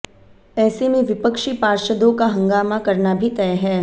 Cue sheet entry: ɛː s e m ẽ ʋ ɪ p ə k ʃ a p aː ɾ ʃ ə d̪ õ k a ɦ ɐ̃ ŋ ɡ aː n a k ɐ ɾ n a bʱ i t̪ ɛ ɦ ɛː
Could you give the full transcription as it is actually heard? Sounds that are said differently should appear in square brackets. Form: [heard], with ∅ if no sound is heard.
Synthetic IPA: ɛː s e m ẽ ʋ ɪ p ə k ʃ [i] p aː ɾ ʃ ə d̪ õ k a ɦ ɐ̃ ŋ ɡ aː [m] a k ɐ ɾ n a bʱ i t̪ ɛ ɦ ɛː

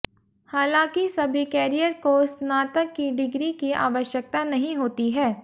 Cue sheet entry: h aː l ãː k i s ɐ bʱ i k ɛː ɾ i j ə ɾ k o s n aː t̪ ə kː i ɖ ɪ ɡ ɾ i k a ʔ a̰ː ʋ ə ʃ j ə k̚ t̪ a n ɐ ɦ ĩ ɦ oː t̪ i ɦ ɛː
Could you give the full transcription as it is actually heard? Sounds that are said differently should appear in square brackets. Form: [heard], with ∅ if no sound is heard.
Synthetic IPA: h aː l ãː k i s ɐ bʱ i k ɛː ɾ i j ə ɾ k o s n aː t̪ ə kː i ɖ ɪ ɡ ɾ i k [i] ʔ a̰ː ʋ ə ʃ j ə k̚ t̪ a n ɐ ɦ ĩ ɦ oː t̪ i ɦ ɛː

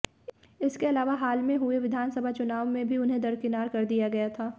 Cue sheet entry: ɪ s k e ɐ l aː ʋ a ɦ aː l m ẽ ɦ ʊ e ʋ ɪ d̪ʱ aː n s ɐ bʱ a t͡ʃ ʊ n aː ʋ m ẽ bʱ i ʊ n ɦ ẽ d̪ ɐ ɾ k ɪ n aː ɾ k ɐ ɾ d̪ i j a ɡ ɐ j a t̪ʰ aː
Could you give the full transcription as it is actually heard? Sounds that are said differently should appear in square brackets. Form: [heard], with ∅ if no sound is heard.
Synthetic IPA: ɪ s k e ɐ l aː ʋ a ɦ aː l m ẽ ɦ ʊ e ʋ ɪ d̪ʱ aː n s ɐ bʱ a t͡ʃ ʊ n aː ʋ m ẽ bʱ i ʊ n ɦ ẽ d̪ ɐ ɾ k ɪ n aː ɾ k ɐ ɾ d̪ i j a ɡ ɐ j a t̪ʰ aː

